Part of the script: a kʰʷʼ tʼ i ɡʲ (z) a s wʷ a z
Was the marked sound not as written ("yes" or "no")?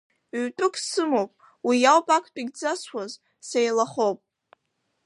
yes